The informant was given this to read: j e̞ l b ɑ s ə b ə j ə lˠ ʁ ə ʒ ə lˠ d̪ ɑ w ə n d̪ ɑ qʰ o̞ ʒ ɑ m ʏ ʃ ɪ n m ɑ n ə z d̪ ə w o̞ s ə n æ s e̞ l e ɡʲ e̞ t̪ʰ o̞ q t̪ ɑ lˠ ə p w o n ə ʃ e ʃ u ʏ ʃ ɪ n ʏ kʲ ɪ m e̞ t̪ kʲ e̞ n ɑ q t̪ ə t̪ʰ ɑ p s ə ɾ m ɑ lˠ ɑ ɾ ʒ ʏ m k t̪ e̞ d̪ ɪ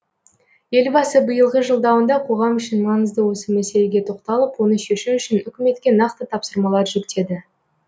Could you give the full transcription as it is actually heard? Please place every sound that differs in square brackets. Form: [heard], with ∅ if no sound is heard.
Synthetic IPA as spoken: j e̞ l b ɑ s ə b ə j ə lˠ ʁ ə ʒ ə lˠ d̪ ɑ w ə n d̪ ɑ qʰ o̞ [ʁ] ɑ m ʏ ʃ ɪ n m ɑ n ə z d̪ ə w o̞ s ə [m] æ s e̞ l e ɡʲ e̞ t̪ʰ o̞ q t̪ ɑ lˠ ə p w o n ə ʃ e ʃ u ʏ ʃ ɪ n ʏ kʲ ɪ m e̞ t̪ kʲ e̞ n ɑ q t̪ ə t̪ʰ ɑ p s ə ɾ m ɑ lˠ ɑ ɾ ʒ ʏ [∅] k t̪ e̞ d̪ ɪ

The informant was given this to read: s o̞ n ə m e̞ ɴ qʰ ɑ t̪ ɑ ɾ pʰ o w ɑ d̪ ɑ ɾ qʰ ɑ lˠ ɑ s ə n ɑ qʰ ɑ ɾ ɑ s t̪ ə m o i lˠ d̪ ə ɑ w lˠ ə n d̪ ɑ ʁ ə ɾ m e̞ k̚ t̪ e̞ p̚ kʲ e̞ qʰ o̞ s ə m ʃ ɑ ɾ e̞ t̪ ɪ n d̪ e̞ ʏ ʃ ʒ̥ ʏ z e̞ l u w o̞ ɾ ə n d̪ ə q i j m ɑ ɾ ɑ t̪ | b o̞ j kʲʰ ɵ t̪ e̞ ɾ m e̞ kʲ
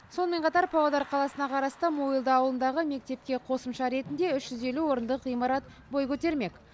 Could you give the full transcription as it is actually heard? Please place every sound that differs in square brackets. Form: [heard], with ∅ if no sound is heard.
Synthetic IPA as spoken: s o̞ n ə m e̞ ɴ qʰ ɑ t̪ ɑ ɾ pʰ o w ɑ d̪ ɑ ɾ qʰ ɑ lˠ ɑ s ə n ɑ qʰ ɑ ɾ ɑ s t̪ ə m o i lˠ d̪ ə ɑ w lˠ ə n d̪ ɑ ʁ ə [∅] m e̞ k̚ t̪ e̞ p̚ kʲ e̞ qʰ o̞ s ə m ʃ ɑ ɾ e̞ t̪ ɪ n d̪ e̞ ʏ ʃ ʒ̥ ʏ z e̞ l u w o̞ ɾ ə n d̪ ə q i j m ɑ ɾ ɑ t̪ | b o̞ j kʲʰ ɵ t̪ e̞ ɾ m e̞ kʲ

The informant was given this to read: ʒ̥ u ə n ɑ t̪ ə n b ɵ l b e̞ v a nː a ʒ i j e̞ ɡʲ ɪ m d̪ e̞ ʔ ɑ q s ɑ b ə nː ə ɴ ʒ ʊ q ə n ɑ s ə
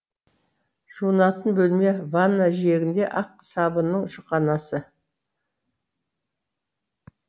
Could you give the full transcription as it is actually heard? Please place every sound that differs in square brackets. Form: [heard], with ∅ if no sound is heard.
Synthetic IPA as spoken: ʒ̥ u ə n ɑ t̪ ə n b ɵ l [m] e̞ v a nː a ʒ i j e̞ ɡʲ ɪ [n] d̪ e̞ ʔ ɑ q s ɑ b ə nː ə ɴ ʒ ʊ q [ɑ] n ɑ s ə

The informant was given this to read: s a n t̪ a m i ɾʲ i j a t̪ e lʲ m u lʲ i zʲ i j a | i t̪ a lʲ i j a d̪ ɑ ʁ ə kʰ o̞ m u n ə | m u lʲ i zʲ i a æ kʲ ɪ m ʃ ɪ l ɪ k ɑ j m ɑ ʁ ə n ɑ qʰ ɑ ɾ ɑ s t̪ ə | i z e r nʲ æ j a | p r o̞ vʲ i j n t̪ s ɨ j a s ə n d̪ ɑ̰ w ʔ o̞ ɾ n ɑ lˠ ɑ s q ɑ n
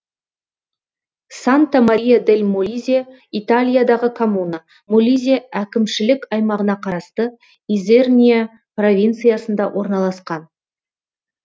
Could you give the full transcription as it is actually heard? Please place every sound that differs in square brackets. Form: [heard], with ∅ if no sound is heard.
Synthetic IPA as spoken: s a n t̪ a m [a] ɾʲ i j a [d̪] e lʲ m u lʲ i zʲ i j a | i t̪ a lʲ i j a d̪ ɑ ʁ ə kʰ o̞ m u n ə | m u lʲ i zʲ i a æ kʲ ɪ m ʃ ɪ l ɪ k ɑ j m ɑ ʁ ə n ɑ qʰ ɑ ɾ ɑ s t̪ ə | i z e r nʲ [i] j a | p r o̞ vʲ i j n t̪ s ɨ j a s ə n d̪ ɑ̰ w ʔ o̞ ɾ n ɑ lˠ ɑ s q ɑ n

